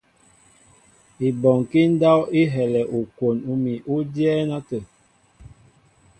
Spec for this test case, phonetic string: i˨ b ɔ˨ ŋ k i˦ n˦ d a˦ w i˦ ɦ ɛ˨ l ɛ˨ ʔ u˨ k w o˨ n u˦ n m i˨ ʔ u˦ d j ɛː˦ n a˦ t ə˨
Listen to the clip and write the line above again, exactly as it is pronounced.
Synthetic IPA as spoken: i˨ b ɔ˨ ŋ k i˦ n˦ d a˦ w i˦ ɦ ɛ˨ l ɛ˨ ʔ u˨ k w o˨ n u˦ m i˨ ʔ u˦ d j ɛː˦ n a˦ t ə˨